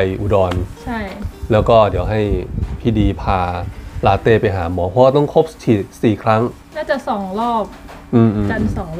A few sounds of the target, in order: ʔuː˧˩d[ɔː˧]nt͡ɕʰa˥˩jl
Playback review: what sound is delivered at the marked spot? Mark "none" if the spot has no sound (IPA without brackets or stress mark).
ɔː˧